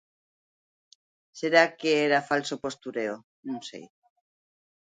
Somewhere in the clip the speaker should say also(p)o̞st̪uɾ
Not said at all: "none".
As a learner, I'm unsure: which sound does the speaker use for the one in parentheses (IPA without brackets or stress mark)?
p